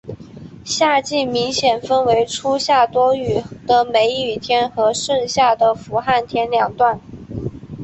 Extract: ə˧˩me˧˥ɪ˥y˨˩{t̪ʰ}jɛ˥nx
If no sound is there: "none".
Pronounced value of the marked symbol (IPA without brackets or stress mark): t̪ʰ